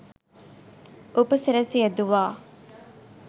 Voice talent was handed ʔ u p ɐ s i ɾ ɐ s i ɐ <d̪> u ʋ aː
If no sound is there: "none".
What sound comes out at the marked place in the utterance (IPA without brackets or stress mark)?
d̪